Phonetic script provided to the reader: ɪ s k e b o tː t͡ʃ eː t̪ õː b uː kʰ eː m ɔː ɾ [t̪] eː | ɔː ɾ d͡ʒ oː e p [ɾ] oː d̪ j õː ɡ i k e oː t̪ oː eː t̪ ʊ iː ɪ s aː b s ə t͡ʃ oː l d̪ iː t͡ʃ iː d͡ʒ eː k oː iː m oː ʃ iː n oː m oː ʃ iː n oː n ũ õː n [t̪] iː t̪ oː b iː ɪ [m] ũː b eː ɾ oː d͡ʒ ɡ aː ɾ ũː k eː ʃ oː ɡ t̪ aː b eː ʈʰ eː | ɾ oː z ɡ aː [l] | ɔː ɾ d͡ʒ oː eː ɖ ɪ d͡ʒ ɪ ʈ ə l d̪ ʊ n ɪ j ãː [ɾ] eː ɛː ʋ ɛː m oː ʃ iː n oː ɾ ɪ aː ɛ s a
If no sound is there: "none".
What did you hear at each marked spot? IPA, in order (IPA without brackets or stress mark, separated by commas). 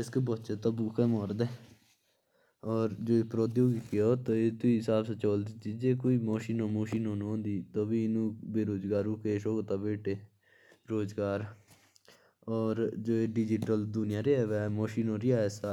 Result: d̪, ɾ, d̪, n, ɾ, ɾ